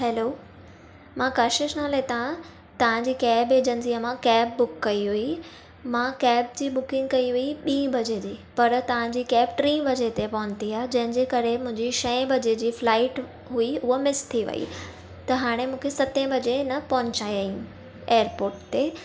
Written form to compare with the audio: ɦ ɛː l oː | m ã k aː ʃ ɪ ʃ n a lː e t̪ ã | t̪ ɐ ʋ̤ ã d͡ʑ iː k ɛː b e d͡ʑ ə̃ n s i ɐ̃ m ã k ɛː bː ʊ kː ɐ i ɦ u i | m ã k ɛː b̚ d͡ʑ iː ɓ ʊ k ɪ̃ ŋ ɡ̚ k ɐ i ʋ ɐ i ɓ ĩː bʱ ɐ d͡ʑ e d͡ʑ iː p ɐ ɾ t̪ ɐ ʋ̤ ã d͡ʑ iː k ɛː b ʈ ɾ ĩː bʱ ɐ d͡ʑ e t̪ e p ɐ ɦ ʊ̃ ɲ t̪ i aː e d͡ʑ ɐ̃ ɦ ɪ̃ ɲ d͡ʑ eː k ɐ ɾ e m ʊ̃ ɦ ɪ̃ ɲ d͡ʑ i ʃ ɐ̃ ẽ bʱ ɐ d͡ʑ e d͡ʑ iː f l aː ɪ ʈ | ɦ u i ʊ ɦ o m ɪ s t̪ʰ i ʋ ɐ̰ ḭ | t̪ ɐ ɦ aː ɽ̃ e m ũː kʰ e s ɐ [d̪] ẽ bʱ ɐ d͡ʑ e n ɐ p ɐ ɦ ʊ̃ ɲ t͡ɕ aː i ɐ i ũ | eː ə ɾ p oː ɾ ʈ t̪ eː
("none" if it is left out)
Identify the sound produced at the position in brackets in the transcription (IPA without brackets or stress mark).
t̪